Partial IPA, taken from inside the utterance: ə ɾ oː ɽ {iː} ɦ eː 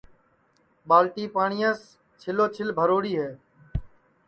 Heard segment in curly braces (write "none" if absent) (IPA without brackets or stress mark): iː